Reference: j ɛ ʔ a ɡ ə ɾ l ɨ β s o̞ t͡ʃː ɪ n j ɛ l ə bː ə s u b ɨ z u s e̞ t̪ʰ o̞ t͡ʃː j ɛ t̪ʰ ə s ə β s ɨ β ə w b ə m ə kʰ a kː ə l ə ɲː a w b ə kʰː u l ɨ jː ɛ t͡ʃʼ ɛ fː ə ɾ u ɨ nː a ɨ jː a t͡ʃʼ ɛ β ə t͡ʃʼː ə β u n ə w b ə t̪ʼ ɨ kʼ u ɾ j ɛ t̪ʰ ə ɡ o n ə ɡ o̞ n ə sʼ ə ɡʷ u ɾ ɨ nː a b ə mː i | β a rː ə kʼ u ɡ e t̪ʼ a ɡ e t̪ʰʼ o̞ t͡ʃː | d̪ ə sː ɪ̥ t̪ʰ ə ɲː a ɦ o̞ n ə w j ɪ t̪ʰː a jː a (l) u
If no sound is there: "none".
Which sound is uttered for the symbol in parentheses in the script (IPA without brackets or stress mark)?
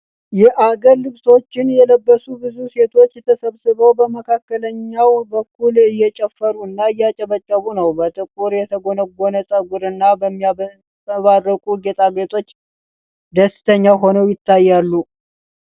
lː